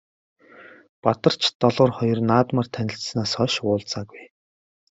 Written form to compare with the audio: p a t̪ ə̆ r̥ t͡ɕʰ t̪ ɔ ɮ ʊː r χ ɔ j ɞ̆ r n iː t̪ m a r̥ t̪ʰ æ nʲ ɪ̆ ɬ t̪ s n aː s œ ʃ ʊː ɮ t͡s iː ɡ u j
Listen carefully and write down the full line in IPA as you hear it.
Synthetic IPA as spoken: p a t̪ ə̆ r̥ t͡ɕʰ t̪ ɔ ɮ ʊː r χ ɔ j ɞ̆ r n aː t̪ m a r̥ t̪ʰ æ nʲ ɪ̆ ɬ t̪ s n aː s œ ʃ ʊː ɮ t͡s aː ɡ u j